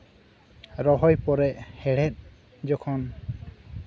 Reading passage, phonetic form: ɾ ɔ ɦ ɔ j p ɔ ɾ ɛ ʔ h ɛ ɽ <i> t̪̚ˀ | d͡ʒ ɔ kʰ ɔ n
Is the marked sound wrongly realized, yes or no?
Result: yes